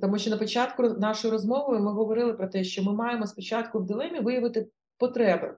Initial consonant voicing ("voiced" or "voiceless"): voiceless